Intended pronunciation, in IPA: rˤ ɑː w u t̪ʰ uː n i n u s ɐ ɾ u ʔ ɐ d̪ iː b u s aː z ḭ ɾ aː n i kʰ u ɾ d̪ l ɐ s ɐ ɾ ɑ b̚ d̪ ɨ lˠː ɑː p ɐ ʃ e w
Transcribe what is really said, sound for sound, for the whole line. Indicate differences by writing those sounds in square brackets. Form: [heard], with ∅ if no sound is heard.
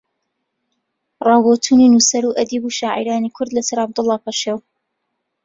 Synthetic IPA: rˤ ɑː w [o] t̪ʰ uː n i n u s ɐ ɾ u ʔ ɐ d̪ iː b u [ʃ] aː [ʕ] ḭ ɾ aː n i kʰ [ʊ] ɾ d̪ l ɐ s ɐ ɾ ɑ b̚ d̪ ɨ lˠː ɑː p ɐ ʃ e w